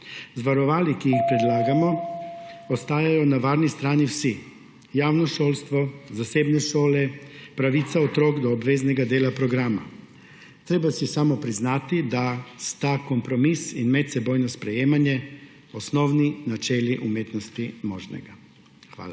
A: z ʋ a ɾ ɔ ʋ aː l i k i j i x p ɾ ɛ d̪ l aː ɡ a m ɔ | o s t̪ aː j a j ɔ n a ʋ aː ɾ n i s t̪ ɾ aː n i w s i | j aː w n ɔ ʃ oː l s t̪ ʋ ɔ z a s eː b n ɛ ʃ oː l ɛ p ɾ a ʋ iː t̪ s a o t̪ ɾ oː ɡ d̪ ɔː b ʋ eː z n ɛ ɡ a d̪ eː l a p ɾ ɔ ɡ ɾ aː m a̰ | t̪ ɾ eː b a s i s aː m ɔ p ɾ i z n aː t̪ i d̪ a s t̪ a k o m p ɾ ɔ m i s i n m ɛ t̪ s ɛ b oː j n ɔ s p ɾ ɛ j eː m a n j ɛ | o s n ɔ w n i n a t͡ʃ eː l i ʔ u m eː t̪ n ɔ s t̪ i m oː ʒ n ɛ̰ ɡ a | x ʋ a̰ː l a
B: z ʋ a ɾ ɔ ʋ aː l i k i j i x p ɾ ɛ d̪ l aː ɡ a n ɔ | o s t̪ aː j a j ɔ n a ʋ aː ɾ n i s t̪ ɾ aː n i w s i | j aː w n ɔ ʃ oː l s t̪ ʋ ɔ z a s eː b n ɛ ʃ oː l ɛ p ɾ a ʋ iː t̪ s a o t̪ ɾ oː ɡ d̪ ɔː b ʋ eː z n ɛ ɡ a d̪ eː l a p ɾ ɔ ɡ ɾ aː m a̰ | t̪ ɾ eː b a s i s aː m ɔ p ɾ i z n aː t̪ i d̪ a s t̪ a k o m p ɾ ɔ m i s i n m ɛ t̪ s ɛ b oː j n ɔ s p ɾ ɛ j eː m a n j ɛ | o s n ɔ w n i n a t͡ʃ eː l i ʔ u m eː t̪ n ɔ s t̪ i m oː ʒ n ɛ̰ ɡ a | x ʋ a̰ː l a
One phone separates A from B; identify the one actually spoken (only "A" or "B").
A